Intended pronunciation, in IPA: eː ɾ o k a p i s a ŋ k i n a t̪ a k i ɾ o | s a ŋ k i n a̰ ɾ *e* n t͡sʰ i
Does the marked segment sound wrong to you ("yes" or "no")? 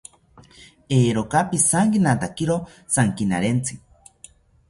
no